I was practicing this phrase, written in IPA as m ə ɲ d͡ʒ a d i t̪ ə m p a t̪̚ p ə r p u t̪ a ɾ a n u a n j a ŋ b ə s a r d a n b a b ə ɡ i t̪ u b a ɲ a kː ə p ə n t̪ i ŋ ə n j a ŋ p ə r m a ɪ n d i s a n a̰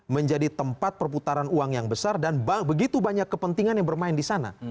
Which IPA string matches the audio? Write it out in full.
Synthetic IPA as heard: m ə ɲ d͡ʒ a d i t̪ ə m p a t̪̚ p ə r p u t̪ a ɾ a n u a ŋ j a ŋ b ə s a r d a n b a b ə ɡ i t̪ u b a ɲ a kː ə p ə n t̪ i ŋ a n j a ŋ b ə r m a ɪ n d i s a n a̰